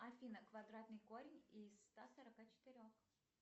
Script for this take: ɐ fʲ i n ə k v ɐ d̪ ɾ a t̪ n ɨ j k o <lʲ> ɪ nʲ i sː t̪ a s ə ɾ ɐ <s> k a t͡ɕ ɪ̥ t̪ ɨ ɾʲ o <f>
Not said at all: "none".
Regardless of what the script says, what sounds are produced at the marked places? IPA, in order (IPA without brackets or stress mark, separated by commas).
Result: ɾʲ, none, x